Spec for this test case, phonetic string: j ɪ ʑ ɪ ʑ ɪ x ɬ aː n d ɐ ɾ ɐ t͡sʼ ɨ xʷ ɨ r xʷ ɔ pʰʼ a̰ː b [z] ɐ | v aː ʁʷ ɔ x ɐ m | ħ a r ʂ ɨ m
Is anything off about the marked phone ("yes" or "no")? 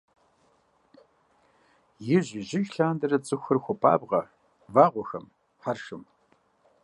yes